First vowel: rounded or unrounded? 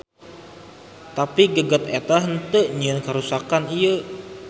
unrounded